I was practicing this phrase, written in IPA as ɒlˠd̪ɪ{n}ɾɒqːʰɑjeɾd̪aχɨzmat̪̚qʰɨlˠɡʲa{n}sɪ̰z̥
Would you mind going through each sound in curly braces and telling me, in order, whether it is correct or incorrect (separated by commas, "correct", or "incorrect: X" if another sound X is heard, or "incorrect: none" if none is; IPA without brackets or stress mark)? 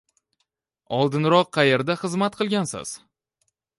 correct, correct